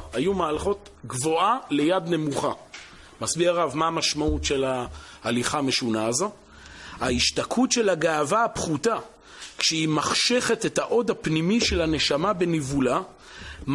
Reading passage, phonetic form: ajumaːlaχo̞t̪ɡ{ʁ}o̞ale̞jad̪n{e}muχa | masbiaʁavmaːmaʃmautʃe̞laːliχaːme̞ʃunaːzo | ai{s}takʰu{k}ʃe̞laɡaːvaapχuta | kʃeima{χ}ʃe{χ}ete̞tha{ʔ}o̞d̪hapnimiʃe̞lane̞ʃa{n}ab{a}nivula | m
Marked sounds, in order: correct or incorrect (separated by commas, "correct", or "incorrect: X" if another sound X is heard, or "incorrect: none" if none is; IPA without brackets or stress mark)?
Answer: incorrect: v, correct, incorrect: ʃ, incorrect: t, correct, correct, correct, incorrect: m, incorrect: e